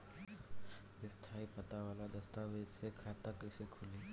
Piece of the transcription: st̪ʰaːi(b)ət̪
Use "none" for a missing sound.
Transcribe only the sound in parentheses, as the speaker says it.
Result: p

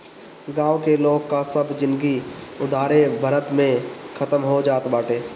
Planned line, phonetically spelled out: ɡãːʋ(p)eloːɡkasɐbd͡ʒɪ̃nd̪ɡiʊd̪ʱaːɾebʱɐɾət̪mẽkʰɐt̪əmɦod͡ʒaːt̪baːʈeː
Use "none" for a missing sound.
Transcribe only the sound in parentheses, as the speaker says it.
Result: k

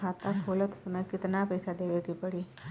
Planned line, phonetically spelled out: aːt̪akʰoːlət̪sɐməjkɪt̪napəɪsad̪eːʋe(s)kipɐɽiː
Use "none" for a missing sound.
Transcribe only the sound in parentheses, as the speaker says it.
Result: none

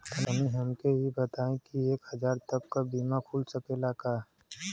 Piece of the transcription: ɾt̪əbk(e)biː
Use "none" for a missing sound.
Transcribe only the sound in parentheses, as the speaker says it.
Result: a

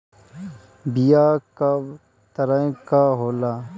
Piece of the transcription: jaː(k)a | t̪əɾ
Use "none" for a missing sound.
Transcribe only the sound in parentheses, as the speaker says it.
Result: k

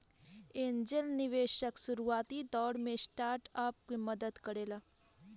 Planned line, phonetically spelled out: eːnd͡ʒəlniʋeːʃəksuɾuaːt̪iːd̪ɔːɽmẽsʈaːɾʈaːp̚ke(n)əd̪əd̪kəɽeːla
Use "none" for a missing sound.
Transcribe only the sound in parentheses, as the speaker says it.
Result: m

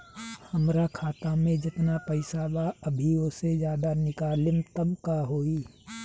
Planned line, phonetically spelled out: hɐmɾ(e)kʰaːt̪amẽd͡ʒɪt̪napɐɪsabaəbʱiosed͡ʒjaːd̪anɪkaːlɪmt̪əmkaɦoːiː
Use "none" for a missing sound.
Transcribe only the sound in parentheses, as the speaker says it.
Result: a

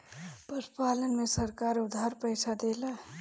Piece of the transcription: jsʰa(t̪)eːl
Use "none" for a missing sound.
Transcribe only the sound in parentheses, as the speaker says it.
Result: d̪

